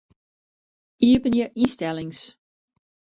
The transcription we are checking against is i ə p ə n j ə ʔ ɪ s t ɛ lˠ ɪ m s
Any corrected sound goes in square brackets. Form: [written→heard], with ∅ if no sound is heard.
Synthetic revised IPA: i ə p ə n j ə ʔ [ɪ→i] s t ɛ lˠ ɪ [m→ŋ] s